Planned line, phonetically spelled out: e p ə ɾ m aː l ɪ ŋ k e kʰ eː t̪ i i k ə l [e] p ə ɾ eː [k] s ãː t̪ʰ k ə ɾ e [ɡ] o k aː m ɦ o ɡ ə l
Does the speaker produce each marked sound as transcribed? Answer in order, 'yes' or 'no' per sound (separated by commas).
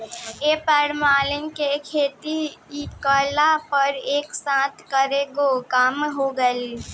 no, yes, yes